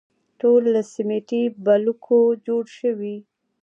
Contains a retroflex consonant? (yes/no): yes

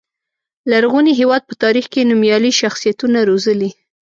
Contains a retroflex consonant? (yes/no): no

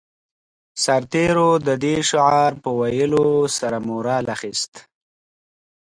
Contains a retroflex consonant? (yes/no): no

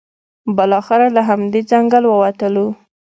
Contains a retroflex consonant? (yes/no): no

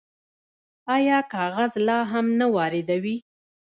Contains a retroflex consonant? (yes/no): no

